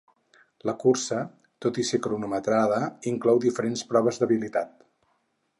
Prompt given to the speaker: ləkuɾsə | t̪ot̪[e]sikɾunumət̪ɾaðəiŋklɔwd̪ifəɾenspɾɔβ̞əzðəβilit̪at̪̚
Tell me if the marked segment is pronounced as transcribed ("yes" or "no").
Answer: no